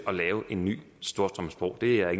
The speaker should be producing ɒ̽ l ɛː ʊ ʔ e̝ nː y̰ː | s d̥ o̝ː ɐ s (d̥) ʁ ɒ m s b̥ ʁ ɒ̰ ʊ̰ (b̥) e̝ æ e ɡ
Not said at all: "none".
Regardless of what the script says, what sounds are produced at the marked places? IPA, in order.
d̥, d̥

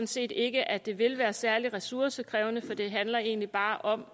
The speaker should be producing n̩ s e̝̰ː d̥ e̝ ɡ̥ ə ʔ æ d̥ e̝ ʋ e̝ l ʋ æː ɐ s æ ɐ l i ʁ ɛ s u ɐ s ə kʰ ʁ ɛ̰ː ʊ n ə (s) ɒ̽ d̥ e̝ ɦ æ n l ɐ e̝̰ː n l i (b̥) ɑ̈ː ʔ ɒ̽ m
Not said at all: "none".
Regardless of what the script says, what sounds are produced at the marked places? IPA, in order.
f, b̥

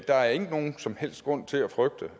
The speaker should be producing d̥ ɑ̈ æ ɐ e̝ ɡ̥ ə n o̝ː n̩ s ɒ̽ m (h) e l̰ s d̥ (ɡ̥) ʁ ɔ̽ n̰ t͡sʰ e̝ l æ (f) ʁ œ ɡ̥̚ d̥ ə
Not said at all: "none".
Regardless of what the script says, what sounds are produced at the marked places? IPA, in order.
h, ɡ̥, f

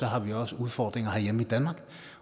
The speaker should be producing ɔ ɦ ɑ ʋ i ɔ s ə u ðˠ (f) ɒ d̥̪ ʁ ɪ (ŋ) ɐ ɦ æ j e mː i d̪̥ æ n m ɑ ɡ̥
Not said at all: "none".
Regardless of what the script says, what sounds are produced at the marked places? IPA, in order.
f, ŋ

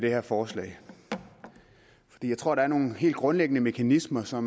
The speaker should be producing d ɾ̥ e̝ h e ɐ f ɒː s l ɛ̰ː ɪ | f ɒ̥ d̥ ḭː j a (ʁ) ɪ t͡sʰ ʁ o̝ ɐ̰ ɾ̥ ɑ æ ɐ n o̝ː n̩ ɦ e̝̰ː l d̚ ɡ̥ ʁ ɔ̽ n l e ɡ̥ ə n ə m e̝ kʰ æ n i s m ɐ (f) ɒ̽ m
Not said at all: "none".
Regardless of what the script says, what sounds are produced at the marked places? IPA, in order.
none, s

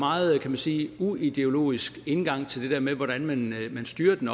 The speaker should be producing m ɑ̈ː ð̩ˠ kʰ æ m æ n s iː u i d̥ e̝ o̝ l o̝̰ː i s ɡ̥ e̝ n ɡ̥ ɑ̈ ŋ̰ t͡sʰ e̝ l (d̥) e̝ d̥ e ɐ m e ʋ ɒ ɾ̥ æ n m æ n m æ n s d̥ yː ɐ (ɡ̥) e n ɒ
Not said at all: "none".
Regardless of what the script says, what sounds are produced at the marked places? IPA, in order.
d̥, d̥

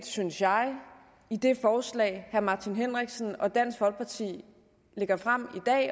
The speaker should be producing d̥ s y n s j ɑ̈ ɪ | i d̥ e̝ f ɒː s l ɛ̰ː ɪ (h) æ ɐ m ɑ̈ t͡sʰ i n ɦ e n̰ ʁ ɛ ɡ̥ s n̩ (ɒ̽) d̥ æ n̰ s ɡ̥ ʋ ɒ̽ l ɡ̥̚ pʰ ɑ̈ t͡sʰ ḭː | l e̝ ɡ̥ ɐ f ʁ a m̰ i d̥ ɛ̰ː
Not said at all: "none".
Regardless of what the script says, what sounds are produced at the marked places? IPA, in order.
h, ɒ̽

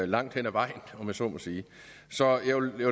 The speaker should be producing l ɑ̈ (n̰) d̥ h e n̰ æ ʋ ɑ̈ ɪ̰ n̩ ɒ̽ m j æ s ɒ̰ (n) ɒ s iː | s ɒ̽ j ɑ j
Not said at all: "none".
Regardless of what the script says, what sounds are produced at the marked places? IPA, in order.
ŋ̰, m

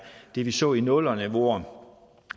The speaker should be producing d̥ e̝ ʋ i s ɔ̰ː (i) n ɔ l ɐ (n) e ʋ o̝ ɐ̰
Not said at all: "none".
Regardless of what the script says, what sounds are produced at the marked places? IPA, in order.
i, n

